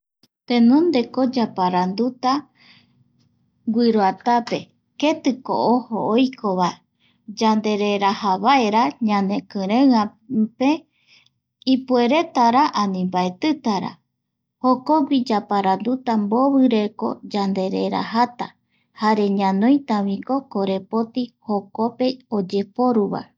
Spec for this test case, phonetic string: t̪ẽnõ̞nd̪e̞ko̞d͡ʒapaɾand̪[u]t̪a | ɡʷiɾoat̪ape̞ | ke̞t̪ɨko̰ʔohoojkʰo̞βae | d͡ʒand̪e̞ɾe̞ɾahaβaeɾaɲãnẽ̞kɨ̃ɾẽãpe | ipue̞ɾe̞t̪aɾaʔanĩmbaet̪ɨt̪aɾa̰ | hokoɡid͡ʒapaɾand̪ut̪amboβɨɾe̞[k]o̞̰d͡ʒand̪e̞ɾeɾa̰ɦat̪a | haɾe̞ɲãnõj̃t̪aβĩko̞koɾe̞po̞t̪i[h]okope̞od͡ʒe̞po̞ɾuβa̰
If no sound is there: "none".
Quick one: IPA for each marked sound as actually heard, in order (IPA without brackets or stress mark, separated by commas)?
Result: u, k, h